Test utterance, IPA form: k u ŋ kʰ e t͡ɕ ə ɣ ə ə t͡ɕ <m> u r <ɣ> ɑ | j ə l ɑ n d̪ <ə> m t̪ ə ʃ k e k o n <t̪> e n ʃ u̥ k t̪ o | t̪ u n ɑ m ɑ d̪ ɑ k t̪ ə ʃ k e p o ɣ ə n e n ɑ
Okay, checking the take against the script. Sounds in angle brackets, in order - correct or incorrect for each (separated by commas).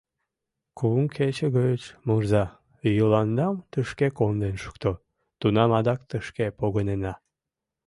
correct, incorrect, incorrect, incorrect